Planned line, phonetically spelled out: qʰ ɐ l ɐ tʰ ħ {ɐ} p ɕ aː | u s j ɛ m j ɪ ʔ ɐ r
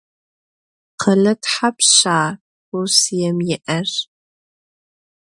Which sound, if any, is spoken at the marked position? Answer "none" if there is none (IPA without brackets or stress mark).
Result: a